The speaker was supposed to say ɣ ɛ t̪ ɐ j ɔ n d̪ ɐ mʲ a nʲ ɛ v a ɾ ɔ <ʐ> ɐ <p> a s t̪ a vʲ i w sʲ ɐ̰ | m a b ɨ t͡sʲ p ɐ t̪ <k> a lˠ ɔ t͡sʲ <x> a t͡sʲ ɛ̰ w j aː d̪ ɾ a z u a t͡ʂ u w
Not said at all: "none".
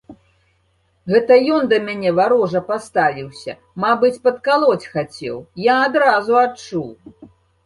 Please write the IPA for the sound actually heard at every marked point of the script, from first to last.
ʐ, p, k, x

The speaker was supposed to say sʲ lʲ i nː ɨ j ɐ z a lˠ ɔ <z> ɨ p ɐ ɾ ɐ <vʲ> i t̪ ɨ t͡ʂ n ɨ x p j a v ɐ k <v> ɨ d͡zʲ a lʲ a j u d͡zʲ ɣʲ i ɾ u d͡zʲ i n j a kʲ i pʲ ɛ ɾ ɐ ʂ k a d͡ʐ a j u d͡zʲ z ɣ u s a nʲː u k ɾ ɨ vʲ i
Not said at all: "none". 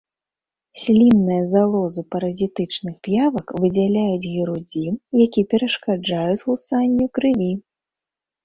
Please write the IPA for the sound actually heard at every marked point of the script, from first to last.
z, zʲ, v

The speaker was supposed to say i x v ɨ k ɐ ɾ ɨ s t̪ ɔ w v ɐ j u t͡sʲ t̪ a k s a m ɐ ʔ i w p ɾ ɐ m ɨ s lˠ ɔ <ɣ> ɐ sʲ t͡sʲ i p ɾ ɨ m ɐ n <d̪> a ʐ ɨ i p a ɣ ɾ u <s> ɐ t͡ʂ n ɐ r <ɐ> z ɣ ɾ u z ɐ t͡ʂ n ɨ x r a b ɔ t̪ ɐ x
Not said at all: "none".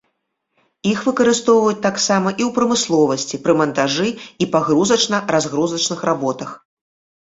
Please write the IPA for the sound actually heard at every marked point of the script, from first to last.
v, t̪, z, a

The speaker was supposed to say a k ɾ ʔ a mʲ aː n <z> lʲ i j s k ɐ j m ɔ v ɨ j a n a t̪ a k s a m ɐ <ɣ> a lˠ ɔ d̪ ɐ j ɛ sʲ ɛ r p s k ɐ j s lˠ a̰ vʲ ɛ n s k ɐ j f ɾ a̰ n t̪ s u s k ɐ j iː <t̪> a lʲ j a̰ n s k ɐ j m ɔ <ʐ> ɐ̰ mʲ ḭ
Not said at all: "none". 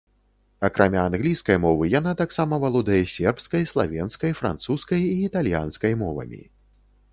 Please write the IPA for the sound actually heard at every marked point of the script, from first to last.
ɣ, v, t̪, v

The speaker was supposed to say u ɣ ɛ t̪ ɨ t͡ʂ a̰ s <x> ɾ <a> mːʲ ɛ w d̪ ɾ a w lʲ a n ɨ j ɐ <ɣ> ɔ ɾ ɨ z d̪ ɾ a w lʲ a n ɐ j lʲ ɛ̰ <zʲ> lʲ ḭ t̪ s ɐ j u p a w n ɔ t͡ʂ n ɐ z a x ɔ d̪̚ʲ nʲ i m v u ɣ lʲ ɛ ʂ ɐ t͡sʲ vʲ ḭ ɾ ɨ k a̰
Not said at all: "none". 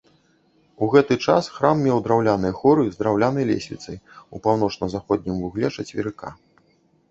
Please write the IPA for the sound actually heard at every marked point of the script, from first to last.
x, a, x, sʲ

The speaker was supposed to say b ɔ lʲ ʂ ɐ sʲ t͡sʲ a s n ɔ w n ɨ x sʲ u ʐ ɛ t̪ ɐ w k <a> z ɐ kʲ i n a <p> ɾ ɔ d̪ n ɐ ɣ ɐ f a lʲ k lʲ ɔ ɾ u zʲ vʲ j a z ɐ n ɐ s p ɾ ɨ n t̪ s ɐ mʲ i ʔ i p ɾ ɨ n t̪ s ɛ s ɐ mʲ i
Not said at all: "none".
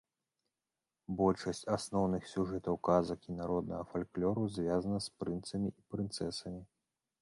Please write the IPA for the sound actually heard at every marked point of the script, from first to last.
a, none

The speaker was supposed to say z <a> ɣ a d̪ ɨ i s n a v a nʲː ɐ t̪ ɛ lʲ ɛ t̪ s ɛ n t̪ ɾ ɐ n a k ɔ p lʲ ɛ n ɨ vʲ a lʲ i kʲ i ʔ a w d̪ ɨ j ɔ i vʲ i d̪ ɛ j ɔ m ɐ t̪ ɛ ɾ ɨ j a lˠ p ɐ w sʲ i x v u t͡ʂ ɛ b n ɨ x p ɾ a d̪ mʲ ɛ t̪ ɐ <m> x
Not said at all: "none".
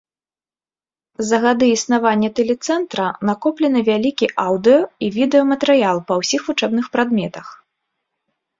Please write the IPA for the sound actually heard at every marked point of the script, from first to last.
ɐ, none

